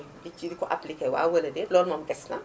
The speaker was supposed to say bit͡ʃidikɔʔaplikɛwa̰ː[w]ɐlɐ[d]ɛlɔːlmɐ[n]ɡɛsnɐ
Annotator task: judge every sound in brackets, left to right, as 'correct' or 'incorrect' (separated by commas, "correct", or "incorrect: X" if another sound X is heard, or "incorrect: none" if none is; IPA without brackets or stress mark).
correct, correct, incorrect: m